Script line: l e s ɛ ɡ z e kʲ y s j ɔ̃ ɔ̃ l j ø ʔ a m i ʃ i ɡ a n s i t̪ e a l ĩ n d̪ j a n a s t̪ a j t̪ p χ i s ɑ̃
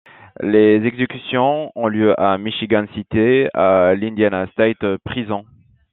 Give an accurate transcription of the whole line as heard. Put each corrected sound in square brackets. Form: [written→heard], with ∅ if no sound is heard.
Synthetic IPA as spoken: l e [s→z] ɛ ɡ z e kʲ y s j ɔ̃ ɔ̃ l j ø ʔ a m i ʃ i ɡ a n s i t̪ e a l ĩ n d̪ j a n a s t̪ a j t̪ p χ i [s→z] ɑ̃